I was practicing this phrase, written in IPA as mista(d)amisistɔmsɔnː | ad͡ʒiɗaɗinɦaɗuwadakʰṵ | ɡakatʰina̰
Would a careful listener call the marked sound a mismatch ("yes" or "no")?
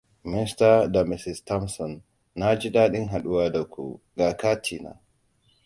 no